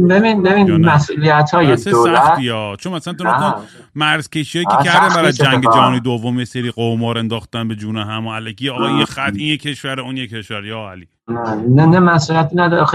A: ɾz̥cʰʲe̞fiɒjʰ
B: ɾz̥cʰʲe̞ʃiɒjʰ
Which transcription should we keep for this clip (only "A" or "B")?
B